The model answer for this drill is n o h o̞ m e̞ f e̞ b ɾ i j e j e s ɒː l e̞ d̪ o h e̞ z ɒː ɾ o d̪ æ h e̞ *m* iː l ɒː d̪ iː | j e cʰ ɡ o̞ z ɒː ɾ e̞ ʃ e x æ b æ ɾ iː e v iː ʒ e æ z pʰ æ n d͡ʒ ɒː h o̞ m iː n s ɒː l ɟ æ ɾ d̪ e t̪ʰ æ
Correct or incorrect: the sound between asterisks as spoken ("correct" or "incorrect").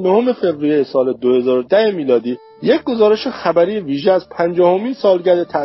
correct